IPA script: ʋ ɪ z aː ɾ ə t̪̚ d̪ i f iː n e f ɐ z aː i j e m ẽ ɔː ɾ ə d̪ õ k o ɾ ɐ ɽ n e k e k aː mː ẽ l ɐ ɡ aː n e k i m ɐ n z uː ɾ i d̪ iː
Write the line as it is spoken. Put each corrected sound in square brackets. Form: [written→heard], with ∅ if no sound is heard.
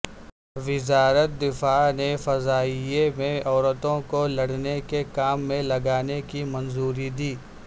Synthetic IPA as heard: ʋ ɪ z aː ɾ ə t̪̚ d̪ [i→ɪ] f [iː→aː] n e f ɐ z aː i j e m ẽ ɔː ɾ ə [d̪→t̪] õ k o [ɾ→l] ɐ ɽ n e k e k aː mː ẽ l ɐ ɡ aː n e k i m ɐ n z uː ɾ i d̪ iː